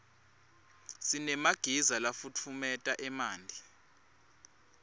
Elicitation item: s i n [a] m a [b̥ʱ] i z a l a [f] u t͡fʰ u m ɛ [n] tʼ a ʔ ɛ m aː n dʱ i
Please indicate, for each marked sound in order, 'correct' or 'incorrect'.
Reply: incorrect: ɛ, incorrect: ɡ̥ʱ, correct, incorrect: none

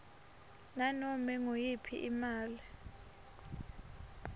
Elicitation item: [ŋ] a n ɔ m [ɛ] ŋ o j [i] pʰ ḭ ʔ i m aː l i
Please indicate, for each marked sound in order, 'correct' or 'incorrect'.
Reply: incorrect: n, correct, correct

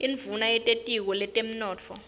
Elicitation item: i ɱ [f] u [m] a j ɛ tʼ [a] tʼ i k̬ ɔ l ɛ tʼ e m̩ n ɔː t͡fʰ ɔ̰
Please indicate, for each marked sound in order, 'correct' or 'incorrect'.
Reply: incorrect: v, incorrect: n, incorrect: e

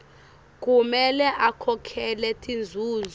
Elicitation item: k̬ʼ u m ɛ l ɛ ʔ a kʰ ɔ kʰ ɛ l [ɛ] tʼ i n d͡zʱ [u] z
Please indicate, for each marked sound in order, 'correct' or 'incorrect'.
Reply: correct, incorrect: uː

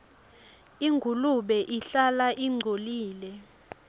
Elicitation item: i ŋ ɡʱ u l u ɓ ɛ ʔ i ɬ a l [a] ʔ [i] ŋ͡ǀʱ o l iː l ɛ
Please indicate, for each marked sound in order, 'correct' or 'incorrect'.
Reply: correct, correct

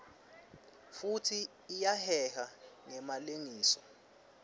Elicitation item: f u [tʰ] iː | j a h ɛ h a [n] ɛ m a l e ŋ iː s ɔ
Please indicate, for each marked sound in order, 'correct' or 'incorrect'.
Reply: correct, incorrect: ŋ

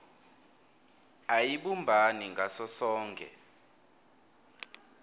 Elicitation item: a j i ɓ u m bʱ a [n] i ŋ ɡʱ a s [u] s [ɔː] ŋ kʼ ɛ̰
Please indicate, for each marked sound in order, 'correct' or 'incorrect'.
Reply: correct, incorrect: ɔ, correct

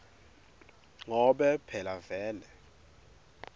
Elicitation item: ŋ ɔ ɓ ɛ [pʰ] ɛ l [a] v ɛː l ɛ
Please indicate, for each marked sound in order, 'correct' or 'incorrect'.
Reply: correct, correct

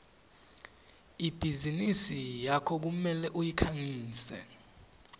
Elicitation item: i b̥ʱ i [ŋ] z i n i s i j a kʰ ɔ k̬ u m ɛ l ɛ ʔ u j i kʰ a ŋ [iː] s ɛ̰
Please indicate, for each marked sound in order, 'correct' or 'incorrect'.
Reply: incorrect: none, correct

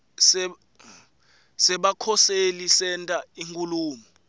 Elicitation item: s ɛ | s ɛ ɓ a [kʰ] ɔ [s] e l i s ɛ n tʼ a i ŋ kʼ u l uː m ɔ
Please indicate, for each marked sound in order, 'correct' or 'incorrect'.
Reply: correct, correct

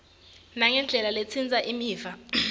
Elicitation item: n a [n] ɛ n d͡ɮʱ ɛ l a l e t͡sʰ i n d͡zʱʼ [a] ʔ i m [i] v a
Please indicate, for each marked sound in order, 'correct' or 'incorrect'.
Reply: incorrect: ŋ, correct, incorrect: iː

